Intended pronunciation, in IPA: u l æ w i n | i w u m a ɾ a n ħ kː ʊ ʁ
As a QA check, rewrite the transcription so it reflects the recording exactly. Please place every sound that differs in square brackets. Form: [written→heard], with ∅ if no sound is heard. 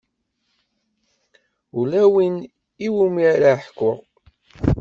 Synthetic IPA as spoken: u l æ w i n | i w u m [a→i] ɾ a [n→∅] ħ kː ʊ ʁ